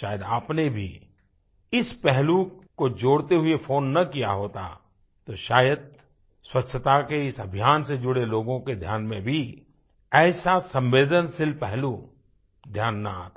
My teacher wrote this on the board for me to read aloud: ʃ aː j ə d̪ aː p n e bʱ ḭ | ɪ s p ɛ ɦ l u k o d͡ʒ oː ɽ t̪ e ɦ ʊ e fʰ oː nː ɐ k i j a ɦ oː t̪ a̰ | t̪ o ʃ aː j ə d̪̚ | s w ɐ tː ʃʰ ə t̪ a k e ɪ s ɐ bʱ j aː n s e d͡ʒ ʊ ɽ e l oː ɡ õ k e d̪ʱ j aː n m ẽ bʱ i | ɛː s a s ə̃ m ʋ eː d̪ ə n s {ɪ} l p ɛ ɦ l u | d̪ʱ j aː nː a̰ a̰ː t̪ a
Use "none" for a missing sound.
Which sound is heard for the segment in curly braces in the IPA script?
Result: ɪ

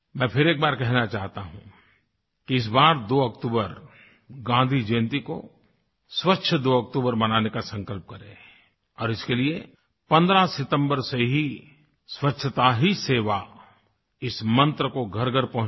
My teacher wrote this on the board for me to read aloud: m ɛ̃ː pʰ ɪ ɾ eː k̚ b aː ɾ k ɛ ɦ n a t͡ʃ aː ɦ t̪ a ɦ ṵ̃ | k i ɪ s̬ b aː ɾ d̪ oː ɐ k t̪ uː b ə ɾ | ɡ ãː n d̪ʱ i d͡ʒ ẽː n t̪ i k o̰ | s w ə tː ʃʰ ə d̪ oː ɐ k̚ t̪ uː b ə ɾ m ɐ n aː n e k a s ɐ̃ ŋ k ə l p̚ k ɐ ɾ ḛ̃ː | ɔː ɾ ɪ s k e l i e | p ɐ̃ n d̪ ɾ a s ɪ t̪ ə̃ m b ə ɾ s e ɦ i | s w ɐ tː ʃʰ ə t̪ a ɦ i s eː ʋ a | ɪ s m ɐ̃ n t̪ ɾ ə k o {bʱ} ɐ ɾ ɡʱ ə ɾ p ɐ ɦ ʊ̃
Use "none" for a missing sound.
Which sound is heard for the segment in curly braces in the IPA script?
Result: ɡʱ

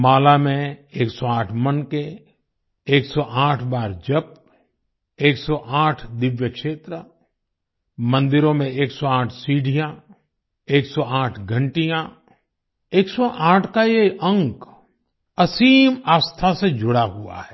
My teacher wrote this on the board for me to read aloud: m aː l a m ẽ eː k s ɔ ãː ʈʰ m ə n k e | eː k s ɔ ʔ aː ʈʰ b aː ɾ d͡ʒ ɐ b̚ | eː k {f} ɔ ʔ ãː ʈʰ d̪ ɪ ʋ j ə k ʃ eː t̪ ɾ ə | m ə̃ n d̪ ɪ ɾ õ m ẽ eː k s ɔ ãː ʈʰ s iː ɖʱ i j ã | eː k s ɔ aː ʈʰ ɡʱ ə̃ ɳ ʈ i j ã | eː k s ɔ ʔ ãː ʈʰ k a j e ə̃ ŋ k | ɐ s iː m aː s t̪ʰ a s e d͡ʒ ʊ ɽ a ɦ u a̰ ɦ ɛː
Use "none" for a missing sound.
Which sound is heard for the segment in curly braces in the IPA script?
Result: s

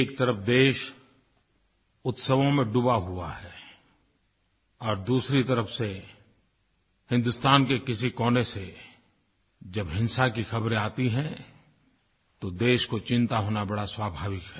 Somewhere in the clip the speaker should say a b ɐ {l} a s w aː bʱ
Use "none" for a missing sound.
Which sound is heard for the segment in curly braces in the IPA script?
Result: ɽ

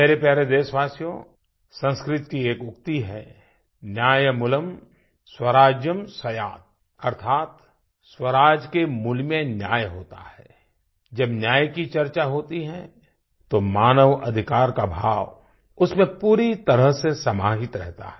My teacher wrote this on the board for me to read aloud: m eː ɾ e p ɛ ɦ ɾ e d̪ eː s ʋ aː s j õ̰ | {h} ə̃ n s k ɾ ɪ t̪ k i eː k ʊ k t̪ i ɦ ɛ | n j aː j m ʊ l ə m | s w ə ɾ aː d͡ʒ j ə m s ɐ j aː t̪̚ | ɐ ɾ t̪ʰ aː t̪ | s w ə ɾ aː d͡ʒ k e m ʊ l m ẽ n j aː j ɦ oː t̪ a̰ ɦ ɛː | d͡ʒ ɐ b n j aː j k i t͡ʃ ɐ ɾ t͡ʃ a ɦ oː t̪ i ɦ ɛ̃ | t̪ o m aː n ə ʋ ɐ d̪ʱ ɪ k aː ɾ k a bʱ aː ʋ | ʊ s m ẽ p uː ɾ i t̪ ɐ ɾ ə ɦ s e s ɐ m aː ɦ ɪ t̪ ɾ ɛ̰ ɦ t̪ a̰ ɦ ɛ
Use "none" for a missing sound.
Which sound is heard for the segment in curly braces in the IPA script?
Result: s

